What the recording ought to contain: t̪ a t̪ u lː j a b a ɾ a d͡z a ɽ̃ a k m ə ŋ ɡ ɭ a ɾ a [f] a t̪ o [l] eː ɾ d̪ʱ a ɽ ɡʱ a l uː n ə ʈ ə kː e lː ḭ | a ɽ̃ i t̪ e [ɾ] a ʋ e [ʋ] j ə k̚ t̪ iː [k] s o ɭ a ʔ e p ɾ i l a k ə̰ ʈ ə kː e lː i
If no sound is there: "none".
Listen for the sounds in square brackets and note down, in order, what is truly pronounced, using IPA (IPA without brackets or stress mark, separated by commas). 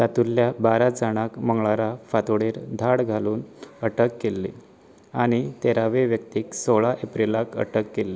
f, ɽ, ɾ, ʋ, k